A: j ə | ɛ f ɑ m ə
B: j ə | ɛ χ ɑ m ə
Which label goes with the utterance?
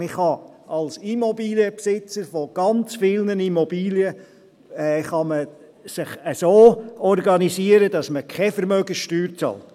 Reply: B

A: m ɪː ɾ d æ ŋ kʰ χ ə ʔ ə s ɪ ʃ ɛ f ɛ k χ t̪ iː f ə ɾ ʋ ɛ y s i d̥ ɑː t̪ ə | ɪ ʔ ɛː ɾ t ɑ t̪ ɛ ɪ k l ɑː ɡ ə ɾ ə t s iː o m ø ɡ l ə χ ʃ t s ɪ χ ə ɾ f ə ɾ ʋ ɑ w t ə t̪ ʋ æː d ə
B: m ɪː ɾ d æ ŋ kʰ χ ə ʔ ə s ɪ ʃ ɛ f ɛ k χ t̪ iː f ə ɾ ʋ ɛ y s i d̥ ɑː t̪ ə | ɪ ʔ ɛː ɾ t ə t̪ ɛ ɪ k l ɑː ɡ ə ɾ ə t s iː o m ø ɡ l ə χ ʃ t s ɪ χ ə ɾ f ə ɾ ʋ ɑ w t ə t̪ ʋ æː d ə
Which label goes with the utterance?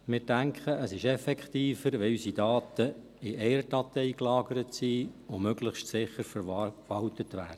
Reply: A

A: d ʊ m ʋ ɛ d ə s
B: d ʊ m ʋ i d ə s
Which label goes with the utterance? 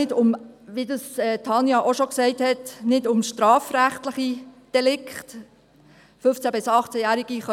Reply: B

